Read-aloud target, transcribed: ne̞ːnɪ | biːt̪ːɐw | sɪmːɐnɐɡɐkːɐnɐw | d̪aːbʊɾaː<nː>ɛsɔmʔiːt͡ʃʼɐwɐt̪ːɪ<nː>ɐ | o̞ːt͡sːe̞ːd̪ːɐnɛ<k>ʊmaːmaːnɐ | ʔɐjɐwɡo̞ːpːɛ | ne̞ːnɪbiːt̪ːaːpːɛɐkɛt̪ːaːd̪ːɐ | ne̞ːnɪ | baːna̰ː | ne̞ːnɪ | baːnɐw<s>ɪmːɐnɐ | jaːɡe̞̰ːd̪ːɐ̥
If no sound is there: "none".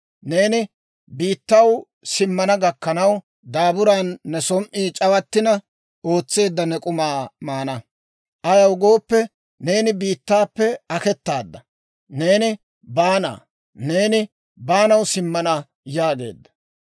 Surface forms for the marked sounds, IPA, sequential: nː, n, kʼ, s

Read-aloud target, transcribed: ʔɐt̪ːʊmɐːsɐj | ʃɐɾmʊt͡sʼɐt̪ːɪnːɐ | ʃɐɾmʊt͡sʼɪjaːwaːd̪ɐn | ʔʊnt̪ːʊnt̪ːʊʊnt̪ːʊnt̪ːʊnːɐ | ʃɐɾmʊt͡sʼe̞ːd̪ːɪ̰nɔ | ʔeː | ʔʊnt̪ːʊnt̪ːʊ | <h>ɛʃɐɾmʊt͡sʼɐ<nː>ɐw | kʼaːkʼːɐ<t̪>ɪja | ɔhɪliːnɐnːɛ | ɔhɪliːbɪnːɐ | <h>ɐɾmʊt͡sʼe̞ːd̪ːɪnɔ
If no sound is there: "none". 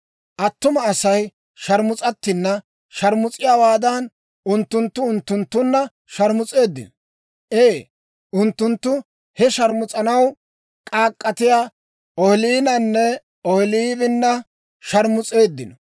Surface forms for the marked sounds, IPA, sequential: h, n, t̪, ʃ

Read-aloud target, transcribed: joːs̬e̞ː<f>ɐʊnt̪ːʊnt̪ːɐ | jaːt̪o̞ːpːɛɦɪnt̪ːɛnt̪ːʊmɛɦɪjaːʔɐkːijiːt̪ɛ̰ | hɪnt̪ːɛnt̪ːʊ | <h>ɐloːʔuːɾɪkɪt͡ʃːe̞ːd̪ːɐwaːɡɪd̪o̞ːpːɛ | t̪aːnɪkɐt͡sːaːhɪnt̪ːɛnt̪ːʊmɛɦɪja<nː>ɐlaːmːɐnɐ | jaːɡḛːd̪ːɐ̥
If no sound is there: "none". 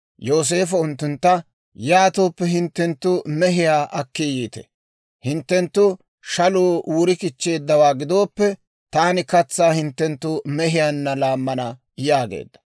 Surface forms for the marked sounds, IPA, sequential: f, ʃ, nː

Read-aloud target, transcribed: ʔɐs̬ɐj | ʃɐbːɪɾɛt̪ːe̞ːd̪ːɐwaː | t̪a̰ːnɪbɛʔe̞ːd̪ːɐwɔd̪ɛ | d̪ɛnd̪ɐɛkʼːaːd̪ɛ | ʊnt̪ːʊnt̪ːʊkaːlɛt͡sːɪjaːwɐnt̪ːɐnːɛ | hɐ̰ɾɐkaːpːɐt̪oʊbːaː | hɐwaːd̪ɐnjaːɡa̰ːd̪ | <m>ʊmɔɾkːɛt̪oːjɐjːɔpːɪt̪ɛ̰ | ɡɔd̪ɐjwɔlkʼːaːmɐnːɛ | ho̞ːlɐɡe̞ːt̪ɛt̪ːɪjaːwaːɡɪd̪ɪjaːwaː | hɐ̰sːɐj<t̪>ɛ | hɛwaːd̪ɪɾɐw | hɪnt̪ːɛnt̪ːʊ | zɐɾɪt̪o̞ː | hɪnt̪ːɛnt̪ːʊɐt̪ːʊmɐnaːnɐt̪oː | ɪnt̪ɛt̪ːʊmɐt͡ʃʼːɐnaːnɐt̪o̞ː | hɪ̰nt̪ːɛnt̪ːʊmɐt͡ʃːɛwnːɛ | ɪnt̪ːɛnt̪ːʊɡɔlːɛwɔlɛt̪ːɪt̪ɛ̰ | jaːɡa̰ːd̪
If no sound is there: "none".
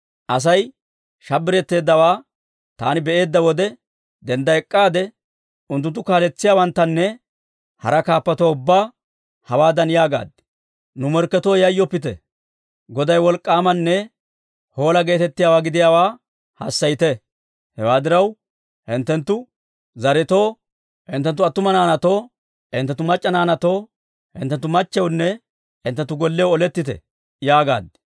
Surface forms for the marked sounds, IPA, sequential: n, t̪

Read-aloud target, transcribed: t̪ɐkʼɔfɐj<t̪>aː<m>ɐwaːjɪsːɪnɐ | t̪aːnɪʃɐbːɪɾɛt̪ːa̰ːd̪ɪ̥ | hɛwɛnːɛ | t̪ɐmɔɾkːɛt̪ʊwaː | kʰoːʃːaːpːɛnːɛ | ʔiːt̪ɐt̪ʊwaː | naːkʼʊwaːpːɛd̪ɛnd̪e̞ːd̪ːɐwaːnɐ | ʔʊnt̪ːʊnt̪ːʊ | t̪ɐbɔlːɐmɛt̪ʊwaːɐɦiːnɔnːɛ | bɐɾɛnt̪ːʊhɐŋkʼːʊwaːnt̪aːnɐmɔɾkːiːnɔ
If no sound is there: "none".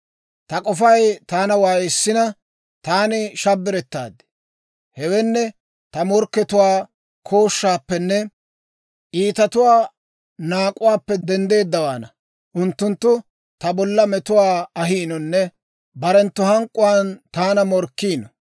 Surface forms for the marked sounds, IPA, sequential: t̪, n

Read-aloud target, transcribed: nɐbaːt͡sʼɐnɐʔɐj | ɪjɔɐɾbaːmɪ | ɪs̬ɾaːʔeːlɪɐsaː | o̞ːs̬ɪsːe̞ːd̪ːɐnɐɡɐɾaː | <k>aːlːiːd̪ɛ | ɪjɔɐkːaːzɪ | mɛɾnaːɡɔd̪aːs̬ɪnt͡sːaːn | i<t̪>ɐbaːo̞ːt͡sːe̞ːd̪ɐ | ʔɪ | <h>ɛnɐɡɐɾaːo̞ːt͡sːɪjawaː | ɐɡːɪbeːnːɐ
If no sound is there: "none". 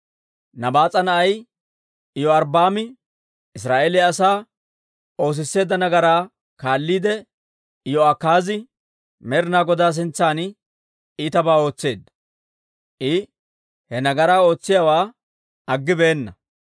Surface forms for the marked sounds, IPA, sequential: k, t̪, h

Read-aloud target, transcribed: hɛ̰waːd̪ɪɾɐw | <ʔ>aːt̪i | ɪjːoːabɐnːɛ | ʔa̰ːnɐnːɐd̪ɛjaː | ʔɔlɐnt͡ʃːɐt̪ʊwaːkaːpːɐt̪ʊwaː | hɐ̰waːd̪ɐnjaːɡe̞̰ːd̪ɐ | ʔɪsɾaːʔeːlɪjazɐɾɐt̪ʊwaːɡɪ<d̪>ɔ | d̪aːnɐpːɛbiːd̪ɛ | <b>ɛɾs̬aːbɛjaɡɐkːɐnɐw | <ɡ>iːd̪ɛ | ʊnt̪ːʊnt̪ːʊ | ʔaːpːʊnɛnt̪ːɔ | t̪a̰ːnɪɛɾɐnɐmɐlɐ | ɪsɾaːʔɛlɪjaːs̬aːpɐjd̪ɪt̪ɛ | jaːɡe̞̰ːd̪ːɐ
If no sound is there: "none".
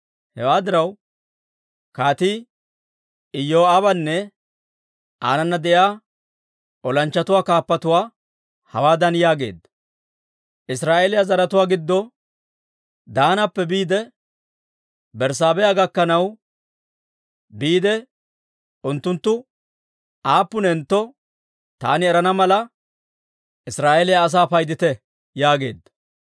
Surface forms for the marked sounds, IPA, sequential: k, d̪ː, b, b

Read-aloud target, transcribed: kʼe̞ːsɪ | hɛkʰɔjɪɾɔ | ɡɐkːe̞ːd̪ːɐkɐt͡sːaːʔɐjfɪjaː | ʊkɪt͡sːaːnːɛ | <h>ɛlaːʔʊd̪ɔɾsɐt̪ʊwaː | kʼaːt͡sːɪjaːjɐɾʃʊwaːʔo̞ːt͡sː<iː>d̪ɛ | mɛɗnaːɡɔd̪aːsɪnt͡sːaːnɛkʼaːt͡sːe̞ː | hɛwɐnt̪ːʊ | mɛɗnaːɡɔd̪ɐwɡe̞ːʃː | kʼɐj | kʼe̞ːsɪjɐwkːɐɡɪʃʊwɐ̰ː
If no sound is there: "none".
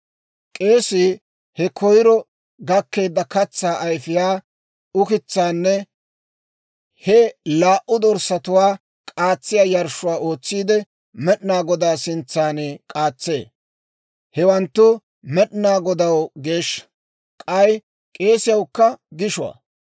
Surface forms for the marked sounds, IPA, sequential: h, iː

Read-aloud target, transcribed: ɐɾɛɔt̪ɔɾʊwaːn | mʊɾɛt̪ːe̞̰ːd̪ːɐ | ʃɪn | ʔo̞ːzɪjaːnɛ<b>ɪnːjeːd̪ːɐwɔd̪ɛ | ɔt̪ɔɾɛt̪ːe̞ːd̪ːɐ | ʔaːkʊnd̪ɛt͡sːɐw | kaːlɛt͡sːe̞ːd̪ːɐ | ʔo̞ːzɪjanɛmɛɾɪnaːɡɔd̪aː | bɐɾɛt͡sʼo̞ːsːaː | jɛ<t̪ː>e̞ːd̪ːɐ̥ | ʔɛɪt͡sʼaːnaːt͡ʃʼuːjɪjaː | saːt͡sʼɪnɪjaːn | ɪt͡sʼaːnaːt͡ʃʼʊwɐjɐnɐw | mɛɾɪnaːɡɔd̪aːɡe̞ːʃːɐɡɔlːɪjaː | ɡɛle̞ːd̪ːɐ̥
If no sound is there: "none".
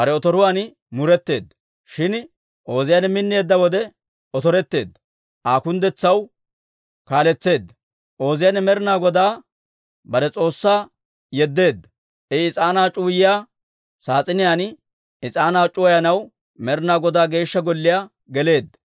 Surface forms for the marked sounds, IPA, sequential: m, d̪ː

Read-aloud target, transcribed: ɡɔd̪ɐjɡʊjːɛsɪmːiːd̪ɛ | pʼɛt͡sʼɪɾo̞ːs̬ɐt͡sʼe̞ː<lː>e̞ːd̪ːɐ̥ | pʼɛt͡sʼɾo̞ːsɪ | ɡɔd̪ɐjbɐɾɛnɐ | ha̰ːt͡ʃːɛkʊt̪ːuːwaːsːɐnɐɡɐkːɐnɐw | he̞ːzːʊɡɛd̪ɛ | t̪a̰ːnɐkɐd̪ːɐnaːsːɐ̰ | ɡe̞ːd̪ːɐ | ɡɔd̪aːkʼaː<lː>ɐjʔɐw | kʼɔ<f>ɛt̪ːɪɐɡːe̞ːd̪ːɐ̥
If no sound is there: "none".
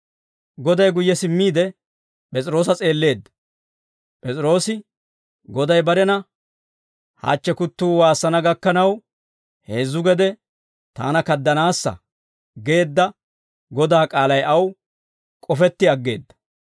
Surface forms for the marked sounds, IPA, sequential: lː, l, f

